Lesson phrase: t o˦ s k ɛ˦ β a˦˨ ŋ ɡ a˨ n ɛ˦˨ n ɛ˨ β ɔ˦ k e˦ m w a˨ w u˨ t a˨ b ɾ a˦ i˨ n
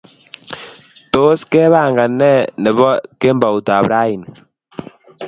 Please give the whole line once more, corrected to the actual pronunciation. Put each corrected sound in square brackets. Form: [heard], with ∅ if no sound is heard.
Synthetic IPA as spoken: t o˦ s k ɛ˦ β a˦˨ ŋ ɡ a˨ n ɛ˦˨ n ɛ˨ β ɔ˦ k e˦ m [b] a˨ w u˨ t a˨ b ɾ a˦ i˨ n